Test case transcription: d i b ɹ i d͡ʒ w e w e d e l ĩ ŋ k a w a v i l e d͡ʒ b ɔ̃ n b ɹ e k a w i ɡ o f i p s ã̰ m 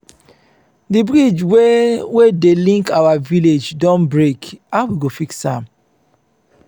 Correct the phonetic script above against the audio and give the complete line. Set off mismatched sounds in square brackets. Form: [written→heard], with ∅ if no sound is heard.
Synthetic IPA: d i b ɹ i d͡ʒ w e w e d e l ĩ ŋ k a w a v i l e d͡ʒ [b→d] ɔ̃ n b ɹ e k a w i ɡ o f i [p→k] s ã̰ m